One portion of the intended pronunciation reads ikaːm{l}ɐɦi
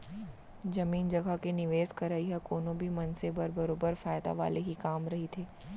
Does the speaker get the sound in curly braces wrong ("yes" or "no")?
yes